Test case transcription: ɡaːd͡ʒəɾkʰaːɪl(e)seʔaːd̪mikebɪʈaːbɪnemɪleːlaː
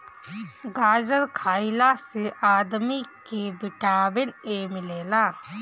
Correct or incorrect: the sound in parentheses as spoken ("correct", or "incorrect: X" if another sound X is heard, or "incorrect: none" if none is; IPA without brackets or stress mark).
incorrect: a